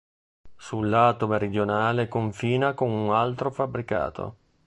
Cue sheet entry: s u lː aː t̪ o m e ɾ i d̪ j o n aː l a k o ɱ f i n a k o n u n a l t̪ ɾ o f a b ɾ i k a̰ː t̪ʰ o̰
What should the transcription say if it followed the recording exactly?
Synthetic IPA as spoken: s u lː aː t̪ o m e ɾ i d̪ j o n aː l e k o ɱ f iː n a k o n u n a l t̪ ɾ o f a b ɾ i k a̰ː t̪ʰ o̰